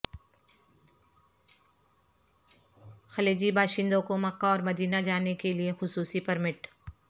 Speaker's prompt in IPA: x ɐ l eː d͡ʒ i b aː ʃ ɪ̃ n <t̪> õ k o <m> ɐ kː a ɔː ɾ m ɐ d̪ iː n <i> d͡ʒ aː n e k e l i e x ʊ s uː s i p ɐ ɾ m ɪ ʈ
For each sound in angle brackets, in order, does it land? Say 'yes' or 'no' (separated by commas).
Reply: no, yes, no